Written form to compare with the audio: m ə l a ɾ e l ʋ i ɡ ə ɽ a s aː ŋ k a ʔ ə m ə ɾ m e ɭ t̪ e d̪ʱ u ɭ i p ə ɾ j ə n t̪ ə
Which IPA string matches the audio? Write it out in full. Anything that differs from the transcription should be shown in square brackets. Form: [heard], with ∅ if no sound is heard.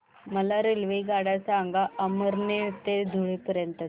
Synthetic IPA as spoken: m ə l a ɾ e l ʋ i ɡ [a] ɽ a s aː ŋ [ɡ] a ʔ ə m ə ɾ [n] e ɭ t̪ e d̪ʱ u ɭ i p ə ɾ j ə n t̪ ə